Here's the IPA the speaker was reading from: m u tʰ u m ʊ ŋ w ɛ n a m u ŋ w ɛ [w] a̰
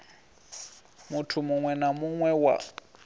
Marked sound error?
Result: no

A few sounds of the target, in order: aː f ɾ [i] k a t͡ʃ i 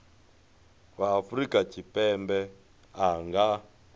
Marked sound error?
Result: no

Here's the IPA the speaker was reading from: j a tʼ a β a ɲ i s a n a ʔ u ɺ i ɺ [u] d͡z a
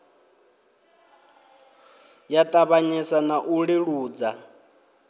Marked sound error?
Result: yes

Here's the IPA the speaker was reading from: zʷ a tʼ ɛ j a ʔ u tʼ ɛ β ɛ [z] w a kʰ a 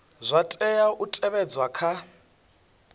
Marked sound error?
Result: yes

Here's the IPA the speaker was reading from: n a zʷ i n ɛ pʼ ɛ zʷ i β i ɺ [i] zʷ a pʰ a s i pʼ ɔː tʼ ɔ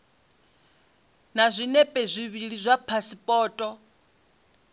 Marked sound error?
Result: no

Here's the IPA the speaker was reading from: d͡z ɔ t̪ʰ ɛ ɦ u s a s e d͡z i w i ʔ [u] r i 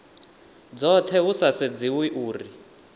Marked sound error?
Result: yes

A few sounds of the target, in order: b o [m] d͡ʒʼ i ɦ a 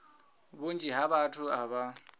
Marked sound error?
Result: yes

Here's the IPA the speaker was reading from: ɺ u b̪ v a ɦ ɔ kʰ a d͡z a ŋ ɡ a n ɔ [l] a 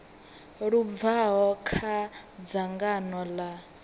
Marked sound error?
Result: no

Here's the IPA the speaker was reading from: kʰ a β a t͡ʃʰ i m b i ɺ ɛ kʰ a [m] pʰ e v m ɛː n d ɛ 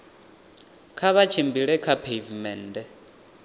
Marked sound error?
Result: yes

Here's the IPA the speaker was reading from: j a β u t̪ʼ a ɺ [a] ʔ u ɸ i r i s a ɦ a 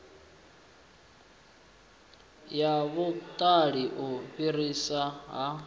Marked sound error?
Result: yes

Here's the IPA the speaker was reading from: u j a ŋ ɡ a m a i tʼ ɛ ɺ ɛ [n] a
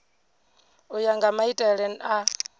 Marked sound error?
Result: no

